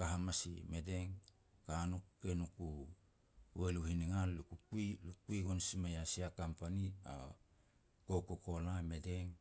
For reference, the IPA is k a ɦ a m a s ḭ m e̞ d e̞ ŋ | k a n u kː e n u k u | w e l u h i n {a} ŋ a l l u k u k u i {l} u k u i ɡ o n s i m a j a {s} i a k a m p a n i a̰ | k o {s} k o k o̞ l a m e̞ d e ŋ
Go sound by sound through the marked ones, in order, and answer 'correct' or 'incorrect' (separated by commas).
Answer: incorrect, correct, correct, incorrect